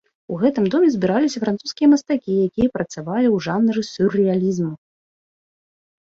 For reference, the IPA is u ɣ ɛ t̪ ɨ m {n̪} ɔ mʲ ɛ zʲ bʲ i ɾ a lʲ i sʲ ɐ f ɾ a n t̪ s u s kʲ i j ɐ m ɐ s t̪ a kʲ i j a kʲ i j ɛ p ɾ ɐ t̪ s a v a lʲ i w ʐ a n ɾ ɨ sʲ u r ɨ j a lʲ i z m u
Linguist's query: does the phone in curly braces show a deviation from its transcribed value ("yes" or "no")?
yes